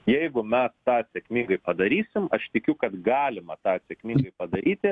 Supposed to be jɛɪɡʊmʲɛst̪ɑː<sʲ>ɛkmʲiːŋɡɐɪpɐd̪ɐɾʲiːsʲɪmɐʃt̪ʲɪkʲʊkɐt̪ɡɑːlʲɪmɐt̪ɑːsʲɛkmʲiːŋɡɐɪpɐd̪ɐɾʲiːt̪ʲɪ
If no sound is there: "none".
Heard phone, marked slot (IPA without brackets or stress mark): sʲ